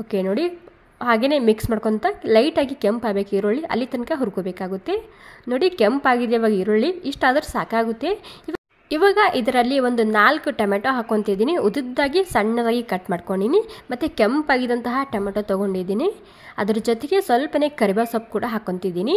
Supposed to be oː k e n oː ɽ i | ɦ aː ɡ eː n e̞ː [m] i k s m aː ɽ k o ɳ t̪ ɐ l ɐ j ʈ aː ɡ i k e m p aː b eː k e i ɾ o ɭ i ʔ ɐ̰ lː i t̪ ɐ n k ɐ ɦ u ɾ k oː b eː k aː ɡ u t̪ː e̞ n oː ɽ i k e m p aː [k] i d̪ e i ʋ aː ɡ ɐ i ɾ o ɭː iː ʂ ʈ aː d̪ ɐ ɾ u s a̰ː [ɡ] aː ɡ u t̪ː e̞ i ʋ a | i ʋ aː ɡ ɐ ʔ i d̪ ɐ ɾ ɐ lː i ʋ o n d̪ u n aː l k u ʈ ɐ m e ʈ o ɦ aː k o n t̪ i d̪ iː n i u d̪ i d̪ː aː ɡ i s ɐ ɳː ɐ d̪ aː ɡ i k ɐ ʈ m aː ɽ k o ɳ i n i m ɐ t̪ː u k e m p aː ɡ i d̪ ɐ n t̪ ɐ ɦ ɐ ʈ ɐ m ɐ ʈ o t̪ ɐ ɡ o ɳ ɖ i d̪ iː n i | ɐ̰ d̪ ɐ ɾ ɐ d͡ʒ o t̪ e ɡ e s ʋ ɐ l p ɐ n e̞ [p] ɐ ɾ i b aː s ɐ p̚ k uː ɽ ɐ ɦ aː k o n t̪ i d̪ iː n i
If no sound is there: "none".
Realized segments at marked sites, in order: m, ɡ, k, k

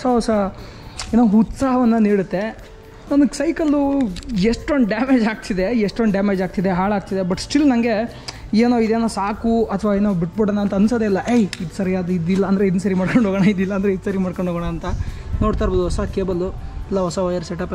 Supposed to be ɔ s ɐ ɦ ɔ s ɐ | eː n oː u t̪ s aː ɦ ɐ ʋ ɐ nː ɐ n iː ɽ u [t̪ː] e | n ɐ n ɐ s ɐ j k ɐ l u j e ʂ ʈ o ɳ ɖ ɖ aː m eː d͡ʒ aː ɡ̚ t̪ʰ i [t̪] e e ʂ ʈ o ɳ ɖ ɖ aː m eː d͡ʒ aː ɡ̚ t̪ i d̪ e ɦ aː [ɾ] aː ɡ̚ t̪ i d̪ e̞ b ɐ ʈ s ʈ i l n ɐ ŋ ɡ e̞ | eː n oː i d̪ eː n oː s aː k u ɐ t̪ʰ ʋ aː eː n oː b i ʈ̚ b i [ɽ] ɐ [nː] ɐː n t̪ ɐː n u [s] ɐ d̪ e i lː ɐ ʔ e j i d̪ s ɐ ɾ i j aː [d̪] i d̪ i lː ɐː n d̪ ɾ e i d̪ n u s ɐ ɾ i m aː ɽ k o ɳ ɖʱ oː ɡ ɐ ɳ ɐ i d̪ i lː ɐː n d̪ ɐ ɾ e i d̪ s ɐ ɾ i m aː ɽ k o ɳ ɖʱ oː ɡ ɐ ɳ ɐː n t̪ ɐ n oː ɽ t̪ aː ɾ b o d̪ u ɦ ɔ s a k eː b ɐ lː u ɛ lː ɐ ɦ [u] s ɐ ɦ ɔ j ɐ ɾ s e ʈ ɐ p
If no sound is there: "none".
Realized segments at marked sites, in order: t̪ː, d̪, ɭ, ɽ, n, s, d̪, ɔ

